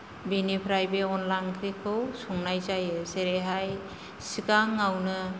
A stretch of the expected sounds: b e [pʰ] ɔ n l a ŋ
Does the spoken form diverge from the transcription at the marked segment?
yes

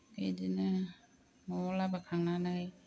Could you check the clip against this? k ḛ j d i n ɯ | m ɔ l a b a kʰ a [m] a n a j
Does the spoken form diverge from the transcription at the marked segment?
yes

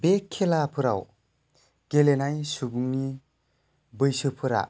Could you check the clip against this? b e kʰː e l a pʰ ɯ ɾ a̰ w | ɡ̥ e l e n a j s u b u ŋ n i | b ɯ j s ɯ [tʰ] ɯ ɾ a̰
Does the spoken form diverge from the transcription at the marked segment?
yes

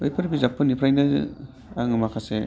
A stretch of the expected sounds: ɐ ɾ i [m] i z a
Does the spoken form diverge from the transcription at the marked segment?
yes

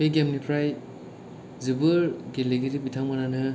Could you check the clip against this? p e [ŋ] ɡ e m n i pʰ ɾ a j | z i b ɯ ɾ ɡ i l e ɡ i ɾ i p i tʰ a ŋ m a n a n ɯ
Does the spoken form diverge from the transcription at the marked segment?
yes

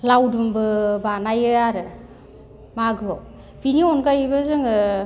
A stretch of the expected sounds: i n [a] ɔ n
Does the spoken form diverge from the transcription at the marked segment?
yes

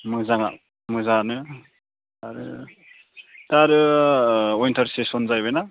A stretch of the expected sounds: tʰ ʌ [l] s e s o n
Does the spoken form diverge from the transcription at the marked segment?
yes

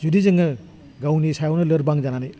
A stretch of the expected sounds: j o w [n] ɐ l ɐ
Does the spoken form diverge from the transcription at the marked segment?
no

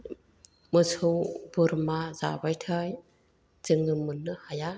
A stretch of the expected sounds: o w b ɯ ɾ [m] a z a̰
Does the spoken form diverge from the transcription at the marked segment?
no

